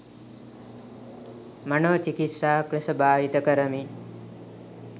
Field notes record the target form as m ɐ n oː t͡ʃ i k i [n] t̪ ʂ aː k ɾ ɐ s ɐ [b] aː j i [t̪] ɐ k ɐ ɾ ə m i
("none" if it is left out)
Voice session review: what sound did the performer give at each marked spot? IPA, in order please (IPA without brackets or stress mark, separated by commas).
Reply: none, b, t̪